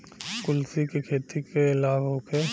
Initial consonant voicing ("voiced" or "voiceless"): voiceless